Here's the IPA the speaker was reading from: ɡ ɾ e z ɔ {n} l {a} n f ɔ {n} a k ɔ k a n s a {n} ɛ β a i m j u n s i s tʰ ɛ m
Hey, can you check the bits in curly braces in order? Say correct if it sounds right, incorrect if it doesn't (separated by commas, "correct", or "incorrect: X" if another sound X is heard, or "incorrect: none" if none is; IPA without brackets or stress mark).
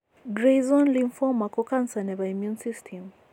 correct, incorrect: i, incorrect: m, correct